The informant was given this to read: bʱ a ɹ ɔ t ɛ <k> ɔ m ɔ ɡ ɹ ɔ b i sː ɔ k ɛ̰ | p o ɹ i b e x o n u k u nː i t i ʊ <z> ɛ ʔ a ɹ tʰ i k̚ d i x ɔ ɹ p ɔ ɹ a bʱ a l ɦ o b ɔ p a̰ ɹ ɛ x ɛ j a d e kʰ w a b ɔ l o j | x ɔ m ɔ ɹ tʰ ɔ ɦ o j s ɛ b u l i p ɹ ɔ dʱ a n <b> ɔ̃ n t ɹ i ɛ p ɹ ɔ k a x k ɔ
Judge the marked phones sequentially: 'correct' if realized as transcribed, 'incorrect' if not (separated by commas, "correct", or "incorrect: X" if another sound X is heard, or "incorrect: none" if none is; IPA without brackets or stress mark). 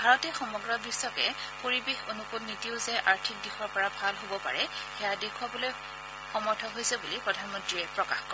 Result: incorrect: x, correct, incorrect: m